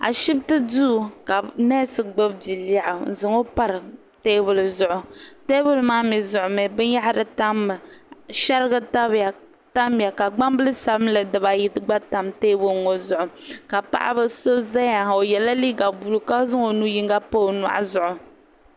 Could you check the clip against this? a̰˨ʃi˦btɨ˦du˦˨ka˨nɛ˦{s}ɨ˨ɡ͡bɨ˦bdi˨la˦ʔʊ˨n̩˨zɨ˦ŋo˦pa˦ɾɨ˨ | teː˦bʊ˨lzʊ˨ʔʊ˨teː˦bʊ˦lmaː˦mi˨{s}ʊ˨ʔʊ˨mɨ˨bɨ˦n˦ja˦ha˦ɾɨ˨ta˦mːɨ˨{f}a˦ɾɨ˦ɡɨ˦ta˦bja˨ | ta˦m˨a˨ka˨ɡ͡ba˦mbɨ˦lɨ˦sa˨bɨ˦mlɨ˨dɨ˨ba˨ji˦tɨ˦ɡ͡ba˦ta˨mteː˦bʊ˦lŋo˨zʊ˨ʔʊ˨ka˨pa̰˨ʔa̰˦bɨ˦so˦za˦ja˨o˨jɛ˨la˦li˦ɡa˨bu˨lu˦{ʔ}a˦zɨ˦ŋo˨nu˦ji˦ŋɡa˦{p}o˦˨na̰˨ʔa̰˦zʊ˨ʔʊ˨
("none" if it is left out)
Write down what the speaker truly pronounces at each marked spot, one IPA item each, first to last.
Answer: s, z, ʃ, k, p

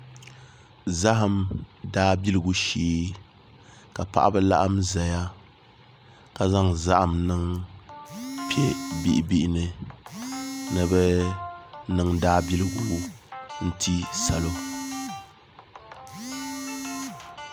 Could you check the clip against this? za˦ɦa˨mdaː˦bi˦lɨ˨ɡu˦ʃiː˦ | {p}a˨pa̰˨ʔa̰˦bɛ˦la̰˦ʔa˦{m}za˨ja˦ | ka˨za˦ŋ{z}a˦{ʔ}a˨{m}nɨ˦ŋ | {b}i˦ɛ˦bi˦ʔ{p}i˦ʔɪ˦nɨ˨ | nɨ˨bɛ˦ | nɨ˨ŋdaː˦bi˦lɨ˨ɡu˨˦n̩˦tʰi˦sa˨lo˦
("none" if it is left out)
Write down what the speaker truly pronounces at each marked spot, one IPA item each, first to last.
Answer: k, m, z, ʔ, m, p, b

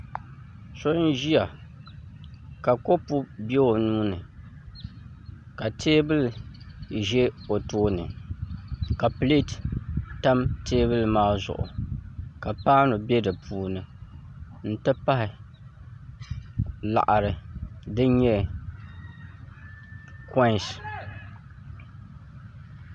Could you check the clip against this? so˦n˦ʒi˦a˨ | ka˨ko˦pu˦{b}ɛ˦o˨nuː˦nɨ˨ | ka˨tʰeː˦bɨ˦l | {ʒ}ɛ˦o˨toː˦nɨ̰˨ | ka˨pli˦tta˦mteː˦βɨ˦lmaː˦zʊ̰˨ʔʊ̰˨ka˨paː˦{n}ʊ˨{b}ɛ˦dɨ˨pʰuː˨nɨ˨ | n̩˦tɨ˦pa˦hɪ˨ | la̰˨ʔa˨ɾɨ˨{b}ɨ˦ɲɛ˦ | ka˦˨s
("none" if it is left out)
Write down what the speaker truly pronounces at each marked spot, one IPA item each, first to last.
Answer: b, ʒ, n, b, d

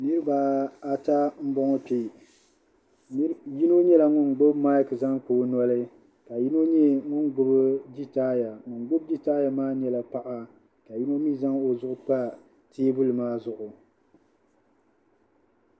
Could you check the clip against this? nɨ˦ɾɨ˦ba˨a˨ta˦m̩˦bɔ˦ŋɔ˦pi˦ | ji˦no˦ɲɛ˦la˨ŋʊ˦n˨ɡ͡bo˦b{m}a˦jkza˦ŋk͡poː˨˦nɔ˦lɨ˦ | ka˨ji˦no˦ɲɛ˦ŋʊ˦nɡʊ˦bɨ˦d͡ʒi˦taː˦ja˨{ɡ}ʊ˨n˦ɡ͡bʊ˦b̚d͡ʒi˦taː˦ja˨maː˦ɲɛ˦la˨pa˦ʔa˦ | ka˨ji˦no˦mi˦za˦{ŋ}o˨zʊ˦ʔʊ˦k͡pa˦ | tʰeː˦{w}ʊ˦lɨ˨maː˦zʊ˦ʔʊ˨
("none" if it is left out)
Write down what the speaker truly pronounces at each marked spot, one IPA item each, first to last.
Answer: m, ŋ, ŋ, b

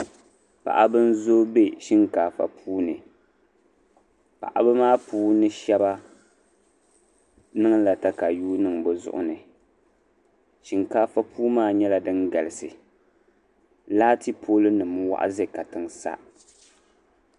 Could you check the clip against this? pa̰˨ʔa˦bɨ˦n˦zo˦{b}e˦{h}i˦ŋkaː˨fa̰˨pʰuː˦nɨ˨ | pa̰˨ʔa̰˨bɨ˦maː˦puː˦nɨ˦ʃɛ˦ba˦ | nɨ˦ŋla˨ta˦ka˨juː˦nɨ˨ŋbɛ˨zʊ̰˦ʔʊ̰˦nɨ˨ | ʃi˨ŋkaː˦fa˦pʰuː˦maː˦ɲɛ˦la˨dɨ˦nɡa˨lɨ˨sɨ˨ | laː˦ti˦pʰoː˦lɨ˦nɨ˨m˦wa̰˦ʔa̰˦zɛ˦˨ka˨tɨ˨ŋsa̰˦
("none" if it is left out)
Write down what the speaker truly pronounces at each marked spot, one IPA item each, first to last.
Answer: b, ʃ

